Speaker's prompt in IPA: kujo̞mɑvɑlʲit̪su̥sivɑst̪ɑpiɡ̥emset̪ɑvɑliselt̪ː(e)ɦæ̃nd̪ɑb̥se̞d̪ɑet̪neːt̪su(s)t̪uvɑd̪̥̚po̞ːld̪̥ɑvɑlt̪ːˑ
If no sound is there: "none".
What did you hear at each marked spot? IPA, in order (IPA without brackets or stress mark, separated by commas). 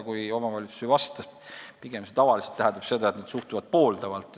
æ, h